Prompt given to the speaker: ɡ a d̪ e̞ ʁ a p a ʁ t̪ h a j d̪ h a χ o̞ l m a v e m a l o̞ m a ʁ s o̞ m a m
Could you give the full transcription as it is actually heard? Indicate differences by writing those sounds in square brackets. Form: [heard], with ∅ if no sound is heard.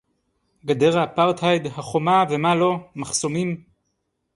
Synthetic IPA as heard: ɡ a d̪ e̞ ʁ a p a ʁ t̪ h a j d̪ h a χ o̞ [∅] m a v e m a l o̞ m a [χ] s o̞ m [i] m